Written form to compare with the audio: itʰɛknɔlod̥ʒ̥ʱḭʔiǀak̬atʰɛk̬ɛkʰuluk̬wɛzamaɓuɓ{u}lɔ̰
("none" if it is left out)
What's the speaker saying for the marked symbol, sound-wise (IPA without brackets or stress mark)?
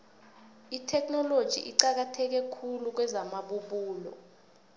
uː